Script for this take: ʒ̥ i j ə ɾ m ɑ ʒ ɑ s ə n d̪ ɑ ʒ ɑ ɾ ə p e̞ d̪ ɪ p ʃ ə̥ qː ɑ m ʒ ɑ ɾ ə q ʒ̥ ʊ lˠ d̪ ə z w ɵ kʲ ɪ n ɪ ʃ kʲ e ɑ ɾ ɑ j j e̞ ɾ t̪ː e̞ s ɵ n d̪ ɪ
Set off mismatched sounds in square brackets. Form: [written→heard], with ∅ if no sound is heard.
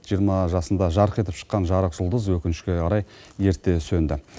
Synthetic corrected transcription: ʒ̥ i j ə ɾ m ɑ ʒ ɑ s ə n d̪ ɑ ʒ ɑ ɾ ə [p→q] e̞ [d̪→t̪] ɪ p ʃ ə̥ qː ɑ [m→n] ʒ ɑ ɾ ə q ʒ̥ ʊ lˠ d̪ ə z w ɵ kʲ ɪ n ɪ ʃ kʲ e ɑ ɾ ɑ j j e̞ ɾ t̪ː e̞ s ɵ n d̪ ɪ

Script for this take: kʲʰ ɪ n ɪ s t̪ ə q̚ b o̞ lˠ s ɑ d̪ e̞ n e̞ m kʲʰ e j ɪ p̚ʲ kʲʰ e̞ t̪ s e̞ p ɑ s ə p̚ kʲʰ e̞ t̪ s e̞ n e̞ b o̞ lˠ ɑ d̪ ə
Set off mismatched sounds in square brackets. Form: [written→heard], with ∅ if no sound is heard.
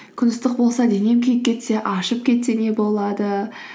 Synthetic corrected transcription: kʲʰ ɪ n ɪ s t̪ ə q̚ b o̞ lˠ s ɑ d̪ e̞ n e̞ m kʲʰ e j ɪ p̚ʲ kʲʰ e̞ t̪ s e̞ [p→ʔ] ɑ [s→ʃ] ə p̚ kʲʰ e̞ t̪ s e̞ n e̞ b o̞ lˠ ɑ d̪ ə

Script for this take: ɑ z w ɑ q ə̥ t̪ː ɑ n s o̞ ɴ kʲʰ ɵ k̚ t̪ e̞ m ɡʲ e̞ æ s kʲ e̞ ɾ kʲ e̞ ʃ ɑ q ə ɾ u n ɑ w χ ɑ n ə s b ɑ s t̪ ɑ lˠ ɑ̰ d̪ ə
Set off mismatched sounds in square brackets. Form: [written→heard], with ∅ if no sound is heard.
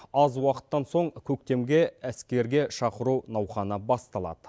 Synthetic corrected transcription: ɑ z w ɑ q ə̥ t̪ː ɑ n s o̞ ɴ kʲʰ ɵ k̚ t̪ e̞ m ɡʲ e̞ æ s kʲ e̞ ɾ [kʲ→ɡʲ] e̞ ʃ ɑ q ə ɾ u n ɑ w χ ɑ n ə [s→∅] b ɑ s t̪ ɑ lˠ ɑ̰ d̪ ə

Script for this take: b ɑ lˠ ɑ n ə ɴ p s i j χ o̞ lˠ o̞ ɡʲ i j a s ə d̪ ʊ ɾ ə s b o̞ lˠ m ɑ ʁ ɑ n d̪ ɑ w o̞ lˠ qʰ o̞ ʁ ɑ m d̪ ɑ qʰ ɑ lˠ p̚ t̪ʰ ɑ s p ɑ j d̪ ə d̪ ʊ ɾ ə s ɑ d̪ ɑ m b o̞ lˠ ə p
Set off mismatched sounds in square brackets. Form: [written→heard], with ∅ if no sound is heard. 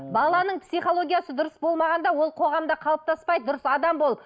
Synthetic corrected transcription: b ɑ lˠ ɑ n ə ɴ p s i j χ o̞ lˠ o̞ ɡʲ i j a s ə d̪ ʊ ɾ ə s b o̞ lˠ m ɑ ʁ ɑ n d̪ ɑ w o̞ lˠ qʰ o̞ ʁ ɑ m d̪ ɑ qʰ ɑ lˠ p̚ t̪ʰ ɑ s p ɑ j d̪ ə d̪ ʊ ɾ ə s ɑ d̪ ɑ m b o̞ lˠ ə p

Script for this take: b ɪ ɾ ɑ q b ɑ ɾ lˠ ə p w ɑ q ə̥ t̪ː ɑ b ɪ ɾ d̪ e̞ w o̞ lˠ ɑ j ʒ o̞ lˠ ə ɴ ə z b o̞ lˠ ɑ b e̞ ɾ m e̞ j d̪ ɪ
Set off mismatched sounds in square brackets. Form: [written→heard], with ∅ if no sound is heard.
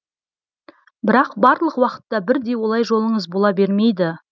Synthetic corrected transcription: b ɪ ɾ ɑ q b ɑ ɾ lˠ ə [p→q] w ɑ q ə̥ t̪ː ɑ b ɪ ɾ d̪ e̞ w o̞ lˠ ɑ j ʒ o̞ lˠ ə ɴ ə z b o̞ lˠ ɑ b e̞ ɾ m e̞ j d̪ ɪ

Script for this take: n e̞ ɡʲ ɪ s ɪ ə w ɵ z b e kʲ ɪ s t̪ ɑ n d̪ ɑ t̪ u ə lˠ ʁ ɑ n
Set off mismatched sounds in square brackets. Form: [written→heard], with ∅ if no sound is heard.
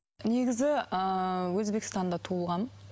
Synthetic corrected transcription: n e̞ ɡʲ ɪ [s→z] ɪ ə w ɵ z b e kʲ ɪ s t̪ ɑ n d̪ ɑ [t̪→t̪ʰ] u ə lˠ ʁ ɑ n

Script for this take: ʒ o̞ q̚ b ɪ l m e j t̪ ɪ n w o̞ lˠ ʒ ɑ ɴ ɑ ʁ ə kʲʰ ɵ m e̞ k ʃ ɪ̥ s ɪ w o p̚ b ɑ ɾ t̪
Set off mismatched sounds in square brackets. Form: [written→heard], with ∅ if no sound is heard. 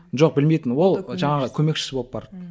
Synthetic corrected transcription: ʒ o̞ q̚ b ɪ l m e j t̪ ɪ n w o̞ lˠ ʒ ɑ ɴ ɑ ʁ ə kʲʰ ɵ m e̞ k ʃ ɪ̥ s ɪ [w→b] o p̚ b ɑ ɾ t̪

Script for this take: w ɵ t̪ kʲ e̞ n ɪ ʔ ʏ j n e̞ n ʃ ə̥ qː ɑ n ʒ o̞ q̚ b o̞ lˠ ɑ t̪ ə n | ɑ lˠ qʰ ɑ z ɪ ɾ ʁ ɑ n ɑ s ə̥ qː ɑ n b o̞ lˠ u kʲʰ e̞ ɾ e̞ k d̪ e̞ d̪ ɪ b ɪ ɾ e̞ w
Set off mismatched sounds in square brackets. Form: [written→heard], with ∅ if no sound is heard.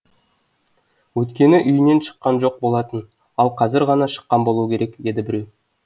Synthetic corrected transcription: w ɵ t̪ kʲ e̞ n ɪ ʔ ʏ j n e̞ n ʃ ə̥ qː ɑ n ʒ o̞ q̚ b o̞ lˠ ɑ t̪ ə n | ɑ lˠ qʰ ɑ z ɪ ɾ ʁ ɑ n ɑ [s→ʃ] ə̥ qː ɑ n b o̞ lˠ u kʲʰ e̞ ɾ e̞ k d̪ e̞ d̪ ɪ b ɪ ɾ e̞ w

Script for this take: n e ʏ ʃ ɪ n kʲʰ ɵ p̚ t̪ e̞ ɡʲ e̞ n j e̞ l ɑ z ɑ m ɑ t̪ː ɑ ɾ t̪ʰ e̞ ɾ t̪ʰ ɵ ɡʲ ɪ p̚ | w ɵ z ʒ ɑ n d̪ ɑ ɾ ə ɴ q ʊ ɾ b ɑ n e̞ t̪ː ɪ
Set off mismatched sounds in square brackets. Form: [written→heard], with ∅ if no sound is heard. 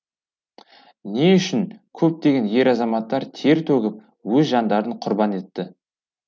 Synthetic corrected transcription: n e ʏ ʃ ɪ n kʲʰ ɵ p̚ t̪ e̞ ɡʲ e̞ n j e̞ [l→ɾ] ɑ z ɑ m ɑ t̪ː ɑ ɾ t̪ʰ e̞ ɾ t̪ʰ ɵ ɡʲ ɪ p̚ | w ɵ z ʒ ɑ n d̪ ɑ ɾ ə ɴ [q→qʰ] ʊ ɾ b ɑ n e̞ t̪ː ɪ

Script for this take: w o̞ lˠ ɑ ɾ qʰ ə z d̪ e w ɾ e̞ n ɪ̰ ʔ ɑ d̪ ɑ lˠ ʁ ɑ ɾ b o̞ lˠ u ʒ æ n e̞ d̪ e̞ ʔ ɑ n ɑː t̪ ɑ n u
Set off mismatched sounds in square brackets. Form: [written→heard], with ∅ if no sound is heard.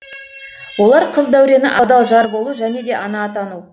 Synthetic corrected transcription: w o̞ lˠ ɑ ɾ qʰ ə z d̪ [e→æ] w ɾ e̞ n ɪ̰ ʔ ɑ d̪ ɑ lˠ [ʁ→ʒ] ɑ ɾ b o̞ lˠ u ʒ æ n e̞ d̪ e̞ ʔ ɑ n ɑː t̪ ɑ n u

